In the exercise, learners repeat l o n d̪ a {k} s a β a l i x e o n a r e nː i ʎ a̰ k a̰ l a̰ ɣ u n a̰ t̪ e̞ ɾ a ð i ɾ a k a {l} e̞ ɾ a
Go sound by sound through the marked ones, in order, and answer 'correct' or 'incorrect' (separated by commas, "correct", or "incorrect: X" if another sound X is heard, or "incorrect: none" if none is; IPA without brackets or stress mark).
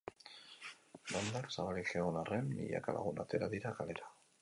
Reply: correct, correct